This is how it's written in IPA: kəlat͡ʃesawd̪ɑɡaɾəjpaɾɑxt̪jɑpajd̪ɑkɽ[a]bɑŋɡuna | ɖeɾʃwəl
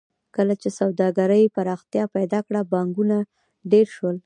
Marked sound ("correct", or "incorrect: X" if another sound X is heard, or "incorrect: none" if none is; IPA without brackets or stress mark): correct